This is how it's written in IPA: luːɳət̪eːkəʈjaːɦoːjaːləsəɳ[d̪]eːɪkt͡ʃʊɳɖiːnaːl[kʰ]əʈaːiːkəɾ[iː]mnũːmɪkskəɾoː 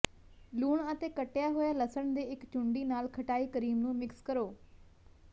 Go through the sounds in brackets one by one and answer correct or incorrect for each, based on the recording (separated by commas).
correct, correct, correct